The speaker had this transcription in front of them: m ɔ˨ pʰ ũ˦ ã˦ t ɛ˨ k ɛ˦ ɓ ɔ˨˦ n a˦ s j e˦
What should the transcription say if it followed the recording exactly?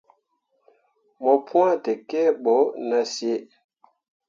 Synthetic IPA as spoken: m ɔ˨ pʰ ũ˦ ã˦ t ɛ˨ k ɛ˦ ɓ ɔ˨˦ n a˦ s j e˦